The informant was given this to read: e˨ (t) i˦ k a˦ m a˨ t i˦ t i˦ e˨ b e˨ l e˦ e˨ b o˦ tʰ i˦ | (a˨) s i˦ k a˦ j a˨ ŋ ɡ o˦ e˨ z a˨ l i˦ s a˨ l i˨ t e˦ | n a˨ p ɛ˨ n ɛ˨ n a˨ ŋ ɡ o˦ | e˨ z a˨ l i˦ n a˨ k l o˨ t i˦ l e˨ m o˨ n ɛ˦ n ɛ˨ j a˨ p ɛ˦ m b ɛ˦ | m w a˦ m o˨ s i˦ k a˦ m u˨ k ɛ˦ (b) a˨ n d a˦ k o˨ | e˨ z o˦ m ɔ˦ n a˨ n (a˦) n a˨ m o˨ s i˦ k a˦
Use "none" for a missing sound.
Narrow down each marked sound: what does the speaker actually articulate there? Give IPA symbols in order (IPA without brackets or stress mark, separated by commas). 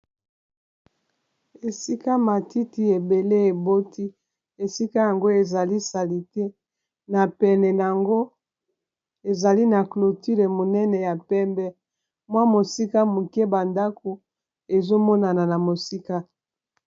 s, e˨, b, a˨